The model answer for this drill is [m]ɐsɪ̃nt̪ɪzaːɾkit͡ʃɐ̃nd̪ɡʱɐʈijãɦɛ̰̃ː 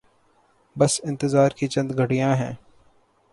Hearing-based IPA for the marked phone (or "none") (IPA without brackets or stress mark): b